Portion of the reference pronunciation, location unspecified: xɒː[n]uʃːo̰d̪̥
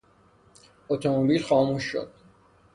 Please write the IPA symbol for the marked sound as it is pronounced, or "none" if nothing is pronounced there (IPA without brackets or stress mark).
m